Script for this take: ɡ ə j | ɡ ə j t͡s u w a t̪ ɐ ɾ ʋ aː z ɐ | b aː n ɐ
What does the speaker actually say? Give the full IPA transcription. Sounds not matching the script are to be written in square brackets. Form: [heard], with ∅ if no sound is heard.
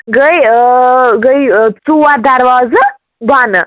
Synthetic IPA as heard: ɡ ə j | ɡ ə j t͡s u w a [d̪] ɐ ɾ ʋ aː z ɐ | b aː n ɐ